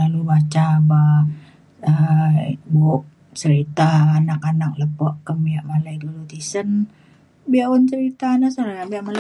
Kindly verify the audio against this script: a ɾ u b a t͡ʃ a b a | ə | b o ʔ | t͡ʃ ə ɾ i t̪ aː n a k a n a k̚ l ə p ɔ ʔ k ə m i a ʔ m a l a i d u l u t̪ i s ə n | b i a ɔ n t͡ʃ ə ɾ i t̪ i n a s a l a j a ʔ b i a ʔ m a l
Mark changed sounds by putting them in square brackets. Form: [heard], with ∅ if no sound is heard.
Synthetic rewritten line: a [l] u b a t͡ʃ a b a | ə | b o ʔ | t͡ʃ ə ɾ i t̪ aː n a k a n a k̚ l ə p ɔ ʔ k ə m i a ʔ m a l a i d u l u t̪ i s ə n | b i a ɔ n t͡ʃ ə ɾ i t̪ [a] n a s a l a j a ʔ b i a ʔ m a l

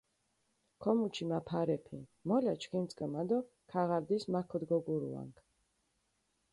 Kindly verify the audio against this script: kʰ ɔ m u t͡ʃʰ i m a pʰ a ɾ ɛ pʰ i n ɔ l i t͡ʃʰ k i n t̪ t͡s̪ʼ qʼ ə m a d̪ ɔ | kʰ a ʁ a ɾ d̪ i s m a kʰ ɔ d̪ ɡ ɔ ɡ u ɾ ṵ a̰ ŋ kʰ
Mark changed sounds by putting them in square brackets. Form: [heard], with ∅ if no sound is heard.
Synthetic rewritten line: kʰ ɔ m u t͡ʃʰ i m a pʰ a ɾ ɛ pʰ i [m] ɔ l [a] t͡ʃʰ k i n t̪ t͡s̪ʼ [kʼ] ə m a d̪ ɔ | kʰ a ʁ a ɾ d̪ i s m a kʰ ɔ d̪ ɡ ɔ ɡ u ɾ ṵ a̰ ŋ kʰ

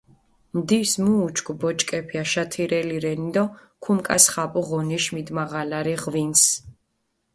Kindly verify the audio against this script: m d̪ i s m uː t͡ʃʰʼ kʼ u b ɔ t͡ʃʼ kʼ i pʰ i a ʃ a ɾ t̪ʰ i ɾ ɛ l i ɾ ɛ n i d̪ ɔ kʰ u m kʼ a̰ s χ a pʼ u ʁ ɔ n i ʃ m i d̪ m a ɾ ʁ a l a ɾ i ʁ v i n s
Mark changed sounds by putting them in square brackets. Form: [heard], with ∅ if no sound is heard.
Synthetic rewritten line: m d̪ i s m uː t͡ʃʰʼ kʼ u b ɔ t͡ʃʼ kʼ [ɛ] pʰ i a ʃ a [∅] t̪ʰ i ɾ ɛ l i ɾ ɛ n i d̪ ɔ kʰ u m kʼ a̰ s χ a pʼ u ʁ ɔ n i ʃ m i d̪ m a [∅] ʁ a l a ɾ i ʁ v i n s

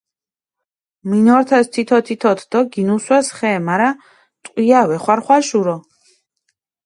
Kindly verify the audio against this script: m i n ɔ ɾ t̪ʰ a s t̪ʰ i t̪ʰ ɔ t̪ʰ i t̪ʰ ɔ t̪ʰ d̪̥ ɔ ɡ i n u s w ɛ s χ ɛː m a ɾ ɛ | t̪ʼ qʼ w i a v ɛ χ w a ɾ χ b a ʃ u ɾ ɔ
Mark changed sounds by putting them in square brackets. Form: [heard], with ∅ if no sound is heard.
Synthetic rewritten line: m i n ɔ ɾ t̪ʰ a s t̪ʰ i t̪ʰ ɔ t̪ʰ i t̪ʰ ɔ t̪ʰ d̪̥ ɔ ɡ i n u s w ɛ s χ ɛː m a ɾ [a] | t̪ʼ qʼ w i a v ɛ χ w a ɾ χ [w] a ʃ u ɾ ɔ

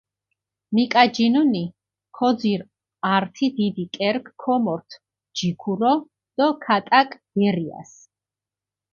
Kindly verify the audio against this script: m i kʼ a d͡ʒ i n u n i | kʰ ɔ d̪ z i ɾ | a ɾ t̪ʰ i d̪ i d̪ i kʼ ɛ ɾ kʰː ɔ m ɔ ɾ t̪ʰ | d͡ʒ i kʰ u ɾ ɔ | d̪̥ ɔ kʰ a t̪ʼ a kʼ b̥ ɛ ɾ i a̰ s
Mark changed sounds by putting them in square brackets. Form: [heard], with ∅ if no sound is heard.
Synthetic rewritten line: m i kʼ a d͡ʒ i n u n i | kʰ ɔ d̪ z i ɾ | a ɾ t̪ʰ i d̪ i d̪ i kʼ ɛ ɾ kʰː ɔ m ɔ ɾ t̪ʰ | d͡ʒ i kʰ u ɾ ɔ | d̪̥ ɔ kʰ a t̪ʼ a kʼ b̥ ɛ ɾ i a̰ s

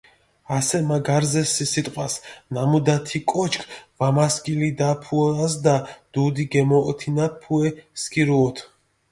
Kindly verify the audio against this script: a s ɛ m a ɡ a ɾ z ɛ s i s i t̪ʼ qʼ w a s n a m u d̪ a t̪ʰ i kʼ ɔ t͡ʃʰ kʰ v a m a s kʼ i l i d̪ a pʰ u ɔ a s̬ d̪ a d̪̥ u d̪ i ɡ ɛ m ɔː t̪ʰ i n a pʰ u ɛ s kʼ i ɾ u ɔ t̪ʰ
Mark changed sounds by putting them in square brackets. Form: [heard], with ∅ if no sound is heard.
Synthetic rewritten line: a s ɛ m a ɡ a ɾ z ɛ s i s i t̪ʼ qʼ w a s n a m u d̪ a t̪ʰ i kʼ ɔ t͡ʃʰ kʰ v a m a s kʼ i l i d̪ a pʰ u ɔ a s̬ d̪ a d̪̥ u d̪ i ɡ ɛ m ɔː t̪ʰ i n a pʰ u ɛ s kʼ i ɾ u ɔ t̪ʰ

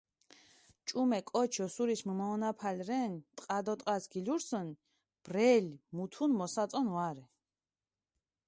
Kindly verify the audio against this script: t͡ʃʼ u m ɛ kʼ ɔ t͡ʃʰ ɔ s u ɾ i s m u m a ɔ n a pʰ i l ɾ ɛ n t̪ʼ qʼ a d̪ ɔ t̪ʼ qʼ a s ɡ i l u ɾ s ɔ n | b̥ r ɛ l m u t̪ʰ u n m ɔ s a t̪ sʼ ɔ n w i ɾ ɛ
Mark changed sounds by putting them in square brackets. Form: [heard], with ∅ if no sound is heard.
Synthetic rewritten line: t͡ʃʼ u m ɛ kʼ ɔ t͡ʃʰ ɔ s u ɾ i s m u m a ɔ n a pʰ [a] l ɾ ɛ n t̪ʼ qʼ a d̪ ɔ t̪ʼ qʼ a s ɡ i l u ɾ s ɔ n | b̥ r ɛ l m u t̪ʰ u n m ɔ s a t̪ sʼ ɔ n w [a] ɾ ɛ

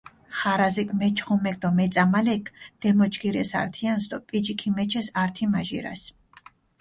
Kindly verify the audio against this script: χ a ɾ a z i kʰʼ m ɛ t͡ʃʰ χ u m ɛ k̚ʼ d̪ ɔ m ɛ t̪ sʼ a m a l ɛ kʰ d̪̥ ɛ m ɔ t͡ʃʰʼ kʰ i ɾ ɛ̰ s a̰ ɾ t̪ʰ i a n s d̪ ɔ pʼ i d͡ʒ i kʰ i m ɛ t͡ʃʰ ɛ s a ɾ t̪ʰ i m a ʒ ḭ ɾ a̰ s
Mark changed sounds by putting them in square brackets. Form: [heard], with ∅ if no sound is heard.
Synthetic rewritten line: χ a ɾ a z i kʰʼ m ɛ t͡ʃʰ χ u m ɛ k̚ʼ d̪ ɔ m ɛ t̪ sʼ a m a l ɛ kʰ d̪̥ ɛ m ɔ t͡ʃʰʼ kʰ i ɾ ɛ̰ s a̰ ɾ t̪ʰ i a n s d̪ ɔ pʼ i d͡ʒ i kʰ i m ɛ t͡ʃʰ ɛ s a ɾ t̪ʰ i m a ʒ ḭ ɾ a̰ s

